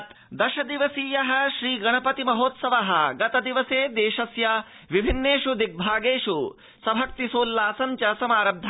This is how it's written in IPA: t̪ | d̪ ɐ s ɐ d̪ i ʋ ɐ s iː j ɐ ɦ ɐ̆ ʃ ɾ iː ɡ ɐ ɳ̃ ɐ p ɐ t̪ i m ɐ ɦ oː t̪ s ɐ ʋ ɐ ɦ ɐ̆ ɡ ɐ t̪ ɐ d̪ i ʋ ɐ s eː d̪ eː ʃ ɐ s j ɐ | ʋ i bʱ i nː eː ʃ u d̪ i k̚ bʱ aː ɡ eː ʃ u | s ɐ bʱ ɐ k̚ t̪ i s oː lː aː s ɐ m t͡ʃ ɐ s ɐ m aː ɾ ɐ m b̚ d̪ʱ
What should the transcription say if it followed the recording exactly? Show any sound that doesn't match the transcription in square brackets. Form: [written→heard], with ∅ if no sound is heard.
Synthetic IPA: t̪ | d̪ ɐ [s→ʃ] ɐ d̪ i ʋ ɐ s iː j ɐ ɦ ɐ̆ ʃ ɾ iː ɡ ɐ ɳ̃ ɐ p ɐ t̪ i m ɐ ɦ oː t̪ s ɐ ʋ ɐ ɦ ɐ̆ ɡ ɐ t̪ ɐ d̪ i ʋ ɐ s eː d̪ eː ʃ ɐ s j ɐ | ʋ i bʱ i nː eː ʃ u d̪ i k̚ bʱ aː ɡ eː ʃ u | s ɐ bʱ ɐ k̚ t̪ i s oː lː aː s ɐ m t͡ʃ ɐ s ɐ m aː ɾ ɐ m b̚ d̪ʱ